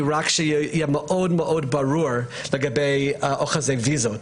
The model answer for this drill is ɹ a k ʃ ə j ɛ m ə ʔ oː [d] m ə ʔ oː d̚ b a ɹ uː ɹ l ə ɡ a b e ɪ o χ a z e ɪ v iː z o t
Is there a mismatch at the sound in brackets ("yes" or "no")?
no